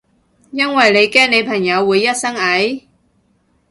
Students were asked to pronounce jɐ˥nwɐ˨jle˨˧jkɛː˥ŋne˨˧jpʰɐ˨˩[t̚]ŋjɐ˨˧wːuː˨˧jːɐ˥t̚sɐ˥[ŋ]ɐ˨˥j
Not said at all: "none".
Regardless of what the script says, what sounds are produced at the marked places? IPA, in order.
none, ŋ

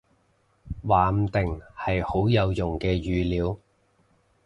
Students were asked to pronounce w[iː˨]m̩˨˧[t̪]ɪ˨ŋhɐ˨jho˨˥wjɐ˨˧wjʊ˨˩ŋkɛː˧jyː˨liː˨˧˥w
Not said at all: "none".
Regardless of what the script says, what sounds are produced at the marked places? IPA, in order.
aː˨, t̪

